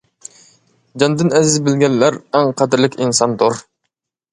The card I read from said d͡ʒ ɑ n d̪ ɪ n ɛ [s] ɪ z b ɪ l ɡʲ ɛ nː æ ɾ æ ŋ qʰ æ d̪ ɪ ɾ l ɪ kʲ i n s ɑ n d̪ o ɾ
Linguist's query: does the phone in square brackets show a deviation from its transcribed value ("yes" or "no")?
yes